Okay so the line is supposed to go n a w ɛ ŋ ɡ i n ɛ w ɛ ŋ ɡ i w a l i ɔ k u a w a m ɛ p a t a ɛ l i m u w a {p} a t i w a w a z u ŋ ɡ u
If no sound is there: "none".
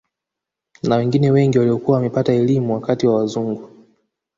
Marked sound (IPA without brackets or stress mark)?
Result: k